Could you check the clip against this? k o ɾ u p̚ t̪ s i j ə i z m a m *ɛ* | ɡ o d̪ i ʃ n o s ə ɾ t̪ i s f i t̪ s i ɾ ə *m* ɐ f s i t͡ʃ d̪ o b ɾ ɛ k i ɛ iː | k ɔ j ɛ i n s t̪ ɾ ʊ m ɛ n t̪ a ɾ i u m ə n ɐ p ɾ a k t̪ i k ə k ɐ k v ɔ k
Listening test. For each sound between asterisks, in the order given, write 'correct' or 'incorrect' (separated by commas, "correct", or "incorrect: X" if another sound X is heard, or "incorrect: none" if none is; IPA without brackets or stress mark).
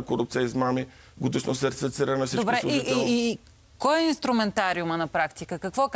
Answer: incorrect: i, incorrect: n